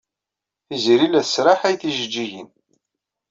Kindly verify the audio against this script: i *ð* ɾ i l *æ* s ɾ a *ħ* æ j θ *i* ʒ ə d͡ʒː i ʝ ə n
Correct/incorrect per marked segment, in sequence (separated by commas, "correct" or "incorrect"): incorrect, correct, correct, correct